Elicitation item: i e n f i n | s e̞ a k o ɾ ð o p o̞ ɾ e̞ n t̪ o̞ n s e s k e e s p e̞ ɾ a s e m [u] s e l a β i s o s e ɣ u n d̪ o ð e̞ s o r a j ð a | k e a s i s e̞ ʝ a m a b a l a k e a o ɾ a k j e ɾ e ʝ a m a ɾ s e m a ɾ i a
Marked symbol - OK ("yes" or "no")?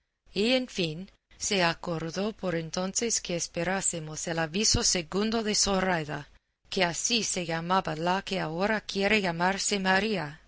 no